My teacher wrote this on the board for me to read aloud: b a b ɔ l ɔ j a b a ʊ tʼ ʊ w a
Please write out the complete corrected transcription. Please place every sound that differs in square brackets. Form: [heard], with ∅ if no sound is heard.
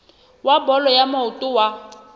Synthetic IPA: [w] a b ɔ l ɔ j a [m] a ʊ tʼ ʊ w a